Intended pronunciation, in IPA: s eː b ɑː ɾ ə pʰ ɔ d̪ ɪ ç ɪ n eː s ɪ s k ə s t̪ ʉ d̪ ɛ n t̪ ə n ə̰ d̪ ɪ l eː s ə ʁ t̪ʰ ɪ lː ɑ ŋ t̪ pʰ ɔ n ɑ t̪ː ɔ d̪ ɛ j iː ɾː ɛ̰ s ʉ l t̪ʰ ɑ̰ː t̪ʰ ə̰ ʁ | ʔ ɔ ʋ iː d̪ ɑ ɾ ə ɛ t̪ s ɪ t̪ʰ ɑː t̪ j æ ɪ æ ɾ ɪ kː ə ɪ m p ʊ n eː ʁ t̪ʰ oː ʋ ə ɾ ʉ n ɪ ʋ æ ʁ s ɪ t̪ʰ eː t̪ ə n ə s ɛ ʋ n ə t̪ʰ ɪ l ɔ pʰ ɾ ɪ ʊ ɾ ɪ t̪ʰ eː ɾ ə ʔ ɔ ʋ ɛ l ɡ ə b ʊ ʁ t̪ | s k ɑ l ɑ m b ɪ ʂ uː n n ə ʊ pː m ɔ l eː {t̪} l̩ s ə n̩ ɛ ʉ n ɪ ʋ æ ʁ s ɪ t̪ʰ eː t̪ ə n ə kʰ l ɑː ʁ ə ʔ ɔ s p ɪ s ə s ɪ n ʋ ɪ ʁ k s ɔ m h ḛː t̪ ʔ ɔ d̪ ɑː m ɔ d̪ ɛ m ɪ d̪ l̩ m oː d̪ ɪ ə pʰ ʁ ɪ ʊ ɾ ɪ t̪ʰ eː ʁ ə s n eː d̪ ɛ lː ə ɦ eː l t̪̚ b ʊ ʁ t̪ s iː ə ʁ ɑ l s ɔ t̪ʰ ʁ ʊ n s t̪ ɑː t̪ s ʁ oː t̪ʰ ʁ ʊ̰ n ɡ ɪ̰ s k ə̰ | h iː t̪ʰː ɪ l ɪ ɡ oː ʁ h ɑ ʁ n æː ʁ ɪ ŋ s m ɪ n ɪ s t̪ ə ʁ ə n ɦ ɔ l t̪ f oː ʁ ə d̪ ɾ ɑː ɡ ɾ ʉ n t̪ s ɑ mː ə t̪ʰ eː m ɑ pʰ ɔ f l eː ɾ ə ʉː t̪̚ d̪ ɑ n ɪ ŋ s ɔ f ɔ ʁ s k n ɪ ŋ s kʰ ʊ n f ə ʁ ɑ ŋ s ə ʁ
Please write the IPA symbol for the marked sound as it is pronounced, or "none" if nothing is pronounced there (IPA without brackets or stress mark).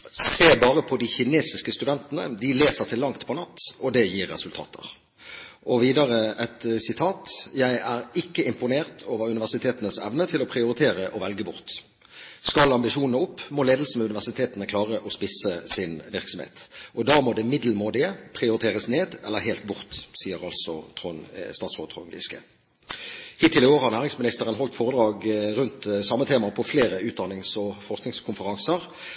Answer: d̪